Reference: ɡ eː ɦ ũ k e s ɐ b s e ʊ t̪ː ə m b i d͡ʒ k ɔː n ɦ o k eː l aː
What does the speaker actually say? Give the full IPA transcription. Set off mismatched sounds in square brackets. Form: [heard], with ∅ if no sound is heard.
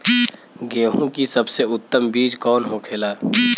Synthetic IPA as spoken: ɡ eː ɦ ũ k [i] s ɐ b s e ʊ t̪ː ə m b [iː] d͡ʒ k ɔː n ɦ o [kʰ] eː l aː